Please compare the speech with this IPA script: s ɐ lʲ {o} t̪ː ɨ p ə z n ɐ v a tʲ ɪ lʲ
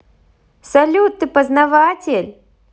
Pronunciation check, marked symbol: incorrect: u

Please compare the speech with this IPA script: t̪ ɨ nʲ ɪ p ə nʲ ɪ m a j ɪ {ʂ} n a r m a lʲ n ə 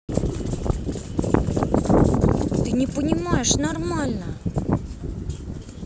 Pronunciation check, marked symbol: correct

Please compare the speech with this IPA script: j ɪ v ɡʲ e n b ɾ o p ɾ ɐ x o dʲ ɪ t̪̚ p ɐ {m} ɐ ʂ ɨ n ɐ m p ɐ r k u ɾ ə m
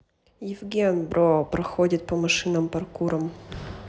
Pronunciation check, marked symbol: correct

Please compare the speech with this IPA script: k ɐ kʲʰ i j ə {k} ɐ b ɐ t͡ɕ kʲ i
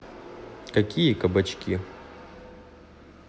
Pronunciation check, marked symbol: correct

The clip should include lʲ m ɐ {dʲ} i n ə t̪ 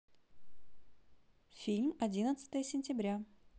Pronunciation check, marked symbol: correct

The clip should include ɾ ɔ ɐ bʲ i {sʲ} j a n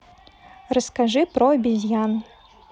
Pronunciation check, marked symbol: incorrect: zʲ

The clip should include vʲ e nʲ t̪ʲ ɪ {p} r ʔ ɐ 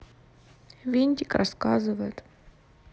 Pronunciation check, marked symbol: incorrect: k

